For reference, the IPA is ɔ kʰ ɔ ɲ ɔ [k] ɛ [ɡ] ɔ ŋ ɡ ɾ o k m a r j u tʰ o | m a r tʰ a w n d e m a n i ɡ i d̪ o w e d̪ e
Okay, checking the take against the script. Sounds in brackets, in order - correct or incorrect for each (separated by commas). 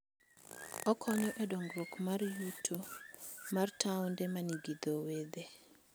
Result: incorrect, incorrect